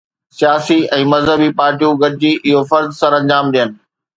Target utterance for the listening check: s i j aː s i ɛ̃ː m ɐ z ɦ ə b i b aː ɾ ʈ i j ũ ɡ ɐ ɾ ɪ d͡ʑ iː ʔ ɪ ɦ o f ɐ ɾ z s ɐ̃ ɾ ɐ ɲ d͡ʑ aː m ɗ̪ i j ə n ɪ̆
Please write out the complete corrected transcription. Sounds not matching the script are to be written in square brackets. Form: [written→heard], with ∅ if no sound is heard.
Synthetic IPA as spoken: s i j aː s i ɛ̃ː m ɐ z ɦ ə b i [b→p] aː ɾ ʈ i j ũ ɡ ɐ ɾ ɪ d͡ʑ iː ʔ ɪ ɦ o f ɐ ɾ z s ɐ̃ ɾ [ɐ→ɐ̃] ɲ d͡ʑ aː m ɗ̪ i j ə n ɪ̆